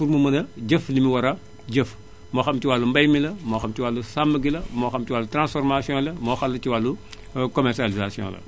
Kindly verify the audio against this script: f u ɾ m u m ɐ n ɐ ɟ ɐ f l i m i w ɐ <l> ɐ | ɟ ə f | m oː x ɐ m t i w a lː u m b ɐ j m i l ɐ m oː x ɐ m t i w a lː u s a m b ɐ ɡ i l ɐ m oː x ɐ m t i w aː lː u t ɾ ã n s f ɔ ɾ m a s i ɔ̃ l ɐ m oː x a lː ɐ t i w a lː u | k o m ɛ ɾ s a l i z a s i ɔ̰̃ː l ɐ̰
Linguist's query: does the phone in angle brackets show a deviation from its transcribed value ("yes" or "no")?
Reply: yes